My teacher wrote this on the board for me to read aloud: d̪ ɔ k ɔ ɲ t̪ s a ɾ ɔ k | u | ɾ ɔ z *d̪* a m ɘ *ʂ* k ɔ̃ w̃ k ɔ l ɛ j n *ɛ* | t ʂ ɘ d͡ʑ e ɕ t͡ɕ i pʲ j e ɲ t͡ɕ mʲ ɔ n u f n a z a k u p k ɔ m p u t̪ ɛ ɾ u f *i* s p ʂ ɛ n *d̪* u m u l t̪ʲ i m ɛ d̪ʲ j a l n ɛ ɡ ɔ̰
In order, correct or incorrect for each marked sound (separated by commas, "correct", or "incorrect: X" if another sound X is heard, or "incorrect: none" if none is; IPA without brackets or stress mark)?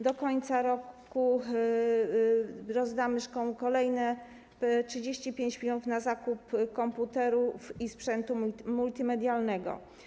correct, correct, correct, correct, incorrect: t̪